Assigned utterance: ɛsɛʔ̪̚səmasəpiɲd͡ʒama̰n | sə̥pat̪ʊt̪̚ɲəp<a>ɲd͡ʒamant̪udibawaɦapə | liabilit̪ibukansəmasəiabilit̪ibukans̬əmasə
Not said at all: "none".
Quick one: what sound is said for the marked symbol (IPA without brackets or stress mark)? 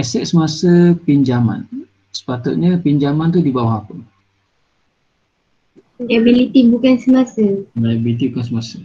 i